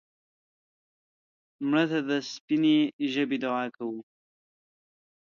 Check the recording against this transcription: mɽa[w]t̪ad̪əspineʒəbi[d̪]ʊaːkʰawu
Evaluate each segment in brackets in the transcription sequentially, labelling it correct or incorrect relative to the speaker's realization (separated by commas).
incorrect, correct